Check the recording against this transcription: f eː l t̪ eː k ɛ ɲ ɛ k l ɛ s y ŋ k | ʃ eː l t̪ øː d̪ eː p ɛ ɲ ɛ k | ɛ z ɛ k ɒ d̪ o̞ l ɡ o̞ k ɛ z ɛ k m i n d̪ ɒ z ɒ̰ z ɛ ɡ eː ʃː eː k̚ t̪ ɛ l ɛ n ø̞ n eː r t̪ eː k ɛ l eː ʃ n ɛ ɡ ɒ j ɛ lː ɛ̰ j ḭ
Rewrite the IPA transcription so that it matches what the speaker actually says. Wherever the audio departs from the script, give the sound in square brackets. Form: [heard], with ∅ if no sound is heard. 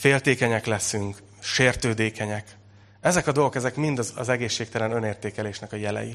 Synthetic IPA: f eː l t̪ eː k ɛ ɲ ɛ k l ɛ s y ŋ k | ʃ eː [r] t̪ øː d̪ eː [k] ɛ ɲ ɛ k | ɛ z ɛ k ɒ d̪ o̞ l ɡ o̞ k ɛ z ɛ k m i n d̪ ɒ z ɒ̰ z ɛ ɡ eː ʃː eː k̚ t̪ ɛ l ɛ n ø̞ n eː r t̪ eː k ɛ l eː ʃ n ɛ [k] ɒ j ɛ [l] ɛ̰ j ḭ